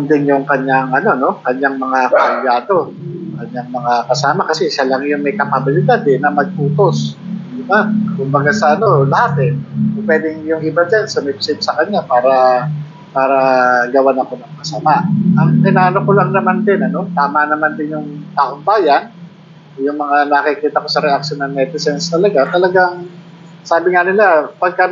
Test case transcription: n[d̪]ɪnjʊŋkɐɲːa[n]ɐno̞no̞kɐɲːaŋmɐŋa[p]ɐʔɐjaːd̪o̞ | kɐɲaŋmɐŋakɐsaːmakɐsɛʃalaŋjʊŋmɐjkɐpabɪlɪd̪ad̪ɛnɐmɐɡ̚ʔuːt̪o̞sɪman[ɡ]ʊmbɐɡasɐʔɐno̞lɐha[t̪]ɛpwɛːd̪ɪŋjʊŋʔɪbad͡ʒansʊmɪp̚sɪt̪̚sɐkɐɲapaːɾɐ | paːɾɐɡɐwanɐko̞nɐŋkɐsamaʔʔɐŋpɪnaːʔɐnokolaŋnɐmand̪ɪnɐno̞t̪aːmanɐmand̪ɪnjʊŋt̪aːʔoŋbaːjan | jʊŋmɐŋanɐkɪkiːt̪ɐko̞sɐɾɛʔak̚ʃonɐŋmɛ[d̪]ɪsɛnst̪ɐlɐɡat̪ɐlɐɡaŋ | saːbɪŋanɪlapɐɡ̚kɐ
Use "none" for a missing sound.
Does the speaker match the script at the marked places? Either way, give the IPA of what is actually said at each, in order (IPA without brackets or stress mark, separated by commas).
d̪, ŋ, k, k, t̪, t̪